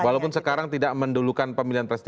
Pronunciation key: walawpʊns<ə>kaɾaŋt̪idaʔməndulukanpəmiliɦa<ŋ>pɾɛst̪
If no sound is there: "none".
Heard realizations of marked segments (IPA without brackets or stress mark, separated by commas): ə, n